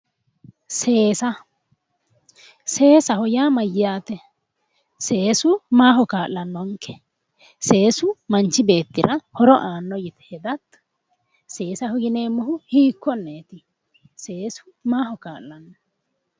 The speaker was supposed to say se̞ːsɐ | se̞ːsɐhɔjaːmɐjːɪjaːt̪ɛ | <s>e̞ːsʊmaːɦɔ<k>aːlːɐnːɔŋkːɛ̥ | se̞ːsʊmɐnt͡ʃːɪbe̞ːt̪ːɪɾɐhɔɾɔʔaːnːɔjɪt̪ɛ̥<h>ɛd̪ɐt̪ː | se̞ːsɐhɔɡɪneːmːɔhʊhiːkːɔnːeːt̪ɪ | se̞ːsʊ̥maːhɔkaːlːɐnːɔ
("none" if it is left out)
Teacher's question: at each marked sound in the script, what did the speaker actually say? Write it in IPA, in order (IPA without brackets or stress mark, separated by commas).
s, k, h